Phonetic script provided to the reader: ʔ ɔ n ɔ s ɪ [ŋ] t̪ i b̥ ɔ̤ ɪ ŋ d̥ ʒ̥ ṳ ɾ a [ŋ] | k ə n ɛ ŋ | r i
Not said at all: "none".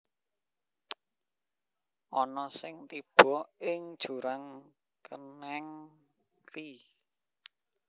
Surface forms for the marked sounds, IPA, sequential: ŋ, ŋ

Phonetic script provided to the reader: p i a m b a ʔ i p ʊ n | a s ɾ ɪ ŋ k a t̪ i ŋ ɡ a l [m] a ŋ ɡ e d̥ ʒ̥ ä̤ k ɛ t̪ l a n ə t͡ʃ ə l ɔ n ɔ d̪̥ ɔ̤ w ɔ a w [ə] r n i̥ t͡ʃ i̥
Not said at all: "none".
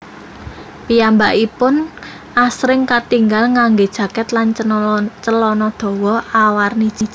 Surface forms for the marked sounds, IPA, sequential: ŋ, a

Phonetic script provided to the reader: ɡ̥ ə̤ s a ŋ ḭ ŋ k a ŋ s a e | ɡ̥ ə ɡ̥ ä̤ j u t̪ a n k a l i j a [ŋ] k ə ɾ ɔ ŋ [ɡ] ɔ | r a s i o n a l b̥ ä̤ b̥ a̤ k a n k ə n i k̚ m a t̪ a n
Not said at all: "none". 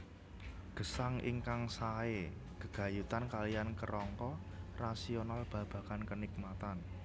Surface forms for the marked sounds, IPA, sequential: n, k

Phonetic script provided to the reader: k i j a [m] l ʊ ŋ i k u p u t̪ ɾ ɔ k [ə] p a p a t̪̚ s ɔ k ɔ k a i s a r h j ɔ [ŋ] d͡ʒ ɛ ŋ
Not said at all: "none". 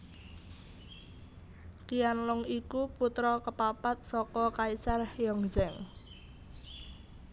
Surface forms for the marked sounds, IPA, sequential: n, ə, ŋ

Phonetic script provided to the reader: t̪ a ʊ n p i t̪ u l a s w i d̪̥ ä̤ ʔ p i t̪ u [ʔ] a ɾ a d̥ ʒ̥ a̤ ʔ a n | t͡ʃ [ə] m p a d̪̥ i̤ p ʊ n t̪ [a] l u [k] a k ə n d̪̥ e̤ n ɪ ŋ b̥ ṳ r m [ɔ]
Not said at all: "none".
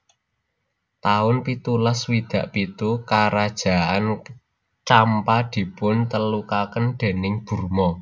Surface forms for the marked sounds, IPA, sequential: k, a, ə, k, ɔ

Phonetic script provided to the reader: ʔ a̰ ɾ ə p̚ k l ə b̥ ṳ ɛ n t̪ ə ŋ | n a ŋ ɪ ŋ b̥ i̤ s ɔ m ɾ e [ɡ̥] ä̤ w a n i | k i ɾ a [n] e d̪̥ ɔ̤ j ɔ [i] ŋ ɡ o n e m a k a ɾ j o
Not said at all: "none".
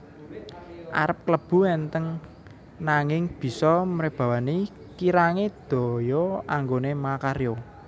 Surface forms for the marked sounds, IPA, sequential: b̥, ŋ, a

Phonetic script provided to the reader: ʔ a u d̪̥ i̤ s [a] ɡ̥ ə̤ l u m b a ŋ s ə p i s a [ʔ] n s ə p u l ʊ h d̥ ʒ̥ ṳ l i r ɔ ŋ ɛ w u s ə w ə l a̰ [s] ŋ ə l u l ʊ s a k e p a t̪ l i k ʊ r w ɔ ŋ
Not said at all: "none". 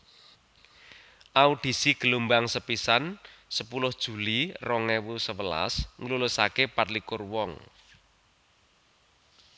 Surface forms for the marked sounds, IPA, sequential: i, none, s

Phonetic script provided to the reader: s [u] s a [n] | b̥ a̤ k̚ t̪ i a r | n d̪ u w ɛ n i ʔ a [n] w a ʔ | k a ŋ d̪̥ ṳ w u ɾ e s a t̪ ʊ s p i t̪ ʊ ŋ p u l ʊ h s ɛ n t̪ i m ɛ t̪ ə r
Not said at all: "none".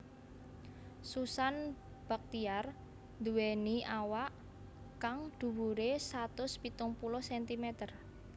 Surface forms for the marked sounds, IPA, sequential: u, n, none

